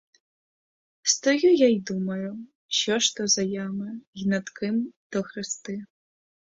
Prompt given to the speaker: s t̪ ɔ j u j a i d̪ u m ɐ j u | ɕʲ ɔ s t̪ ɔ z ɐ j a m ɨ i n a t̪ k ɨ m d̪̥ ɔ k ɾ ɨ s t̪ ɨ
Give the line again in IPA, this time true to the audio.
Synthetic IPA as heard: s t̪ ɔ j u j a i d̪ u m ɐ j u | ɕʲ ɔ ʂ t̪ ɔ z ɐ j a m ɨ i n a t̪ k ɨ m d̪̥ ɔ x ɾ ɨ s t̪ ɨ